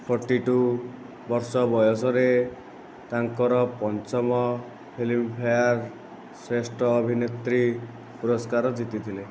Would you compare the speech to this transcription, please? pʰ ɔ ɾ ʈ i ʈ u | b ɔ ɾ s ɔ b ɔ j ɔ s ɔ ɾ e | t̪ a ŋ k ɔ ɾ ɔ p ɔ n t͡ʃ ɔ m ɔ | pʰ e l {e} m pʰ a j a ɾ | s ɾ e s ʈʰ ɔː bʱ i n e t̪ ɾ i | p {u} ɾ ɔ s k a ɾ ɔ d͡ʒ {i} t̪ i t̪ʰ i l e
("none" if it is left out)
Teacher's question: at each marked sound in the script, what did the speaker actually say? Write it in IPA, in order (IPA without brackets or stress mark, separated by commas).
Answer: i, u, i